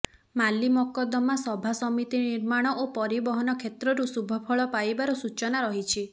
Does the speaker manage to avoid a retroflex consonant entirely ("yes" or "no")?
no